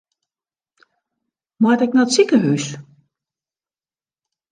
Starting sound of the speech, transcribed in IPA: m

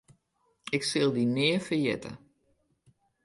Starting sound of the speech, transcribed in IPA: ɪ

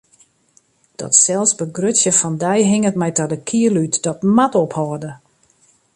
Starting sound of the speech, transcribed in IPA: d̥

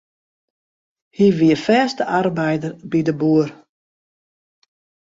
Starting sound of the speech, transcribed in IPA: h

